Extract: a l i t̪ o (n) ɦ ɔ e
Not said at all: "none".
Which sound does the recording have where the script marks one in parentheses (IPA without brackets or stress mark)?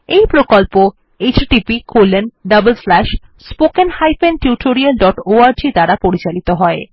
none